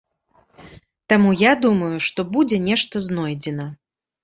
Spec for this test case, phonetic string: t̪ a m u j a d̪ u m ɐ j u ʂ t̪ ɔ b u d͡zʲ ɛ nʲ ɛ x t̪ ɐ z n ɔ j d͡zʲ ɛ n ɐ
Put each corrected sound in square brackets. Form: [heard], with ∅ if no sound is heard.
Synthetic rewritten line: t̪ a m u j a d̪ u m ɐ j u ʂ t̪ ɔ b u d͡zʲ ɛ nʲ ɛ [ʂ] t̪ ɐ z n ɔ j d͡zʲ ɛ n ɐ